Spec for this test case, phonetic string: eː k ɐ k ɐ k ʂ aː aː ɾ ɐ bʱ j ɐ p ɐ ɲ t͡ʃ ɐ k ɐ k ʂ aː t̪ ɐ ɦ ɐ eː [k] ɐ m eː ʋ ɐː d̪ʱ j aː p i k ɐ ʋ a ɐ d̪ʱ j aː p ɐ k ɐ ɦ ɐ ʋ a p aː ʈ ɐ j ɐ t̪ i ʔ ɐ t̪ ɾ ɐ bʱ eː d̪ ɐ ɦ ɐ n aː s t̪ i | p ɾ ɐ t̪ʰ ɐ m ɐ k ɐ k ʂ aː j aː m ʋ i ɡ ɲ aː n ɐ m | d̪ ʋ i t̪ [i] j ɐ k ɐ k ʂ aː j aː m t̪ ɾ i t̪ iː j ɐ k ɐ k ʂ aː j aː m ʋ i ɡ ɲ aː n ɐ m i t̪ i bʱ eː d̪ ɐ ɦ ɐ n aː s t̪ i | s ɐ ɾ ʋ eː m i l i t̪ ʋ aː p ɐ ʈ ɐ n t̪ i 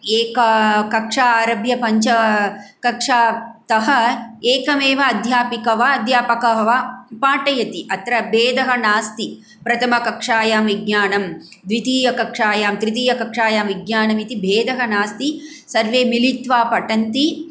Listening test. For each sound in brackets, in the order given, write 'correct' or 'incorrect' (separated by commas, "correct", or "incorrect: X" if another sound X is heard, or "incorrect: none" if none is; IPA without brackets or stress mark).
correct, incorrect: iː